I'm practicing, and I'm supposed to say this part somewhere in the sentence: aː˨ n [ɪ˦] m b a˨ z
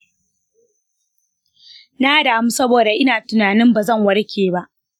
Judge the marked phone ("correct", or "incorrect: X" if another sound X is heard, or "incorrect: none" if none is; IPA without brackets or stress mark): correct